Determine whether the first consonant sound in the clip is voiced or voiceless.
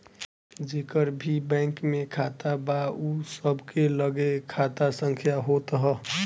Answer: voiced